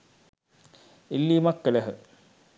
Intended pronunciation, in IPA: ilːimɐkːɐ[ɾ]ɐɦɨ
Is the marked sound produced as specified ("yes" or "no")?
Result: no